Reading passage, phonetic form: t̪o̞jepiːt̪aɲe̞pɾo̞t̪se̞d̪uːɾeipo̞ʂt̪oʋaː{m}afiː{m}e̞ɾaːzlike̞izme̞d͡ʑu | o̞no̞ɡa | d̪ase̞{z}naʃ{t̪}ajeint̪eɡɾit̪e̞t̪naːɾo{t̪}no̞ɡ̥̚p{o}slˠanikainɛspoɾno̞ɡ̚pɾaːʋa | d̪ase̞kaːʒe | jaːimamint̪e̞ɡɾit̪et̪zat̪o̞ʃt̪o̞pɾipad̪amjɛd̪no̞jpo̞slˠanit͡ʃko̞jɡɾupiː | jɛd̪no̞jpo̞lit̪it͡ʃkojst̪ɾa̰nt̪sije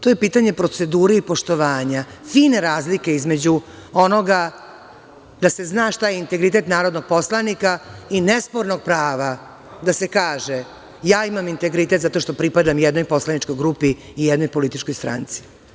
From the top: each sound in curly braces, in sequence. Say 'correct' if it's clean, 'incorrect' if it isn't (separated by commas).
incorrect, incorrect, correct, correct, incorrect, correct